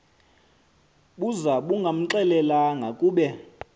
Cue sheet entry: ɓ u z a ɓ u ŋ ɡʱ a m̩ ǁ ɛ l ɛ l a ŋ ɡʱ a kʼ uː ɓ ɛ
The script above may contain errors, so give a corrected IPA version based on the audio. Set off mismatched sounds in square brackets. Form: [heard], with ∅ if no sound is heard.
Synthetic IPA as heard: ɓ u z a ɓ u ŋ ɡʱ a m̩ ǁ ɛ l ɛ l a ŋ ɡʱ a kʼ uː ɓ ɛ